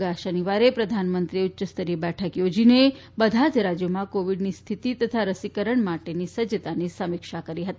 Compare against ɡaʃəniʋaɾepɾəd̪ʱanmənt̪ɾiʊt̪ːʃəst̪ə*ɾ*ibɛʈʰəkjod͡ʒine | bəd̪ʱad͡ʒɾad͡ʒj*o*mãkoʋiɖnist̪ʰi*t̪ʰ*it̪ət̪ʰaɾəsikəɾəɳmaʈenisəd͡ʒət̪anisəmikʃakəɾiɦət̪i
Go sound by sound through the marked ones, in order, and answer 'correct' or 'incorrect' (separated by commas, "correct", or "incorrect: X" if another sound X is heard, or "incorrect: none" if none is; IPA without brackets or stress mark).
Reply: correct, correct, incorrect: t̪